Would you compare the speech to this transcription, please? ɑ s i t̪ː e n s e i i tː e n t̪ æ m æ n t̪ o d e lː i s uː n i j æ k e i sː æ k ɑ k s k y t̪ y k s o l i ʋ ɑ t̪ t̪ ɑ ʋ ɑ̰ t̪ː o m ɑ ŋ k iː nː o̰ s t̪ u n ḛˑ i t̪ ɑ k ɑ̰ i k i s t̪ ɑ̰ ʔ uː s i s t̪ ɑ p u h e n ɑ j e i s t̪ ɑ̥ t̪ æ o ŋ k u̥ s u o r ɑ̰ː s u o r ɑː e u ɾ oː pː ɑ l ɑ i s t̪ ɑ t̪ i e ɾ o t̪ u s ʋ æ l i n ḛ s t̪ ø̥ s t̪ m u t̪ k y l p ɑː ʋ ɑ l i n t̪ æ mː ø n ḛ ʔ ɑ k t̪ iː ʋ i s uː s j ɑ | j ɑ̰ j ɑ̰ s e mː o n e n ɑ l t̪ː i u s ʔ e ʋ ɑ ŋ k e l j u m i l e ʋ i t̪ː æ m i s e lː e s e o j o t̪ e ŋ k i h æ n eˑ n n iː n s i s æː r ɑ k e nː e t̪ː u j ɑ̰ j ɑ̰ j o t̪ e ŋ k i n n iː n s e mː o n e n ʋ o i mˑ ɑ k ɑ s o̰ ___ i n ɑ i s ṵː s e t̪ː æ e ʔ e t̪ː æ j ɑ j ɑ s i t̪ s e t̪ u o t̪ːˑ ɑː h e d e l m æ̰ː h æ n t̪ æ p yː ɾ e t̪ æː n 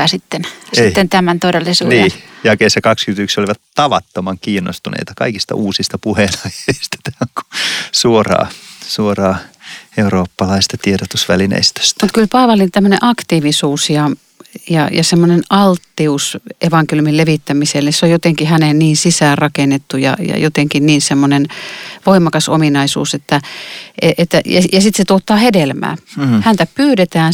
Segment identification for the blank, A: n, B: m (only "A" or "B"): B